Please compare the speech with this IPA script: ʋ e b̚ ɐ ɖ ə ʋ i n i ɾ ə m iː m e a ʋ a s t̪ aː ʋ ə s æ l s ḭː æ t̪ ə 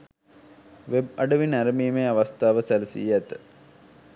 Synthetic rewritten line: ʋ e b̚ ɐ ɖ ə ʋ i n æ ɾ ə m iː m e a ʋ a s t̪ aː ʋ ə s æ l s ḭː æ t̪ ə

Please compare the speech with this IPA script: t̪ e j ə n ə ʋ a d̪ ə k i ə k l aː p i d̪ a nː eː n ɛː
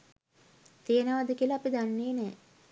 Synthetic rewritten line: t̪ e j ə n ə ʋ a d̪ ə k i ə l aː p i d̪ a nː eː n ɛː

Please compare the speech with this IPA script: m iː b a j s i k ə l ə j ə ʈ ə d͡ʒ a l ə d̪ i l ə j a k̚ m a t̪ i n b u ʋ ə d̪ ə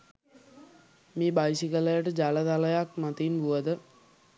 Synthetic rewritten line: m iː b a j s i k ə l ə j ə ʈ ə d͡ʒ a l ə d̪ a l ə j a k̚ m a t̪ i n b u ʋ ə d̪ ə

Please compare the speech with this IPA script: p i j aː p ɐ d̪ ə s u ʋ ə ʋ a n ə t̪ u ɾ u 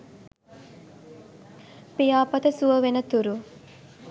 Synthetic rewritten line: p i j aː p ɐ t̪ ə s u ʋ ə ʋ e n ə t̪ u ɾ u

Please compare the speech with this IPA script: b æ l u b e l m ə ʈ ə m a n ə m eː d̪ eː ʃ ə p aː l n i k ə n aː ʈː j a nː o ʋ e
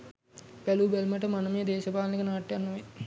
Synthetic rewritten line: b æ l u b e l m ə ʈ ə m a n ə m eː d̪ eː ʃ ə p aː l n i k ə n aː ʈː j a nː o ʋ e

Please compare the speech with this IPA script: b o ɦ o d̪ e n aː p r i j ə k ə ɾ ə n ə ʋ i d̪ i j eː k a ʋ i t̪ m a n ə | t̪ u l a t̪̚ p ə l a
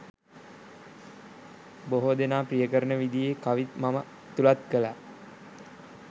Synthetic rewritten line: b o ɦ o d̪ e n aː p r i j ə k ə ɾ ə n ə ʋ i d̪ i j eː k a ʋ i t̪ m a m ə | t̪ u l a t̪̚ k ə l a

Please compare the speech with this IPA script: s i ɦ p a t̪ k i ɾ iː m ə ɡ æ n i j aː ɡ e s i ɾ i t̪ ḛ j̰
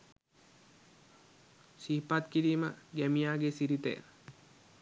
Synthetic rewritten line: s i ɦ p a t̪ k i ɾ iː m ə ɡ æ m i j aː ɡ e s i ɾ i t̪ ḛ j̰

